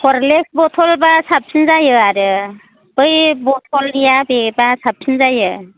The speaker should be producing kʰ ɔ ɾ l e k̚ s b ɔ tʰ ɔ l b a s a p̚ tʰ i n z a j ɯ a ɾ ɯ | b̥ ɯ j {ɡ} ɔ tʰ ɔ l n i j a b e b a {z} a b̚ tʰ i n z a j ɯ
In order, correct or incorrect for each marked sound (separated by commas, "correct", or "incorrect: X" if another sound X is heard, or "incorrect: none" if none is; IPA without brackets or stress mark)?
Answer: incorrect: b, incorrect: s